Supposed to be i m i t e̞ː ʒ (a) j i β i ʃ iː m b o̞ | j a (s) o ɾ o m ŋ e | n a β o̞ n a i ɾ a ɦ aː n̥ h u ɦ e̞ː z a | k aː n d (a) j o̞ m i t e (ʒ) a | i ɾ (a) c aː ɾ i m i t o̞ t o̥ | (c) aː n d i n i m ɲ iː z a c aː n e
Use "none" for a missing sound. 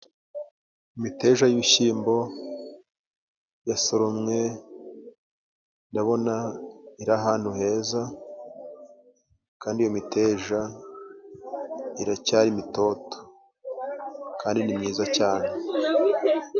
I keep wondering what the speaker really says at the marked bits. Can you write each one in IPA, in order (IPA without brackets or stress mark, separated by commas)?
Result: a, s, i, ʒ, a, k